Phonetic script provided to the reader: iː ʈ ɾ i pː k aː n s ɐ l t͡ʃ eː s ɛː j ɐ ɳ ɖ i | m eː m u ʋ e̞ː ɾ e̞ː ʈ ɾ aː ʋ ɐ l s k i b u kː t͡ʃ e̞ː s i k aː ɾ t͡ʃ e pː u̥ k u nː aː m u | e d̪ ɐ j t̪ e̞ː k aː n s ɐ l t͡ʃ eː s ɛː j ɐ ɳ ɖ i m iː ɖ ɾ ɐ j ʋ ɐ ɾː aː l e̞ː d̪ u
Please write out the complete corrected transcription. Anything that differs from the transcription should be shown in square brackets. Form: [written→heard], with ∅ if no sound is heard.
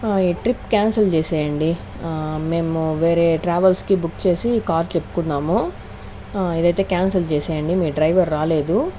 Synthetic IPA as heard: iː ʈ ɾ i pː k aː n s ɐ l t͡ʃ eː s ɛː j ɐ ɳ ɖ i | m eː m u ʋ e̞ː ɾ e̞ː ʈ ɾ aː ʋ ɐ l s k i b u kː t͡ʃ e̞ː s i k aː ɾ t͡ʃ e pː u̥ k u nː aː m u | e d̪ ɐ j t̪ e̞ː k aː n s ɐ l t͡ʃ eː s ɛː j ɐ ɳ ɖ i m iː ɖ ɾ ɐ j ʋ ɐ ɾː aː l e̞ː d̪ u